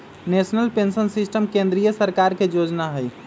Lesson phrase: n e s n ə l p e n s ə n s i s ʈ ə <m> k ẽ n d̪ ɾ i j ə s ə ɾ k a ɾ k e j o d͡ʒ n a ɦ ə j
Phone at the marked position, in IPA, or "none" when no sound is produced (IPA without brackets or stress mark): m